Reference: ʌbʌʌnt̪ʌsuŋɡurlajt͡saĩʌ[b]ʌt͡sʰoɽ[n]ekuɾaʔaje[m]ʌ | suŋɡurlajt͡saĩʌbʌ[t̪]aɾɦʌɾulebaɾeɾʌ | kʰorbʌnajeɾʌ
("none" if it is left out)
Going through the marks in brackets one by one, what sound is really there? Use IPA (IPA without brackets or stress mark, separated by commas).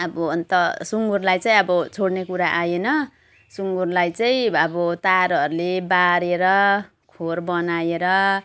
b, n, n, t̪